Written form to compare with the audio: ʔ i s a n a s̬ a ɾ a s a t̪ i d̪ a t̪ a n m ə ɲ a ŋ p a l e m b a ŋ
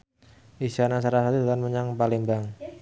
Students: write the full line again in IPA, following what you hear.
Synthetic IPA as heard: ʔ i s a n a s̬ a ɾ a s a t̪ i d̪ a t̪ a n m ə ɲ a ŋ p a l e m b a ŋ